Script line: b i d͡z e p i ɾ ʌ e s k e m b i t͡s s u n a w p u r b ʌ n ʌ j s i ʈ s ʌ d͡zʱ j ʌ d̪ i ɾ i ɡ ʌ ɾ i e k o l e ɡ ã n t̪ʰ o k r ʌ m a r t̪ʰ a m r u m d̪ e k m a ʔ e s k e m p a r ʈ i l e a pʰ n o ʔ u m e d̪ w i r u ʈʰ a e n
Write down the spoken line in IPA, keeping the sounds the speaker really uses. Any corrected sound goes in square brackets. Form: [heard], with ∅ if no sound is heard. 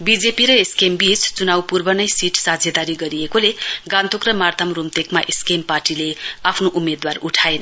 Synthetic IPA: b i d͡z e p i ɾ ʌ e s k e m b i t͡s [t͡s] u n a w p u r b ʌ n ʌ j s i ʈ s [a] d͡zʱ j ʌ d̪ [a] ɾ i ɡ ʌ ɾ i e k o l e ɡ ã n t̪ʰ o k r ʌ m a r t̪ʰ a m r u m [t̪] e k m a ʔ e s k e m p a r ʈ i l e a pʰ n o ʔ u m e d̪ w [a] r u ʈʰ a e n